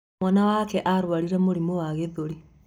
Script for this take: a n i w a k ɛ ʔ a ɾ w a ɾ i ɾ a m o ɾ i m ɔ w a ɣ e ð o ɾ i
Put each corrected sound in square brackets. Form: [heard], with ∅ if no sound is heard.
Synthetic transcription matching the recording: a n [a] w a k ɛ ʔ a ɾ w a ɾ i ɾ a m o ɾ i m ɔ w a ɣ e ð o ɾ i